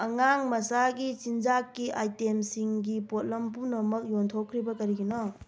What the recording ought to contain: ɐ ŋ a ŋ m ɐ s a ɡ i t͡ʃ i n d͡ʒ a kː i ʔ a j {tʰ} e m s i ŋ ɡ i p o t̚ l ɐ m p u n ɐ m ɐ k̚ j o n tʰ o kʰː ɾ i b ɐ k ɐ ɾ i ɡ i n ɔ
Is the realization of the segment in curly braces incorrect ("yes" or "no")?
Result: yes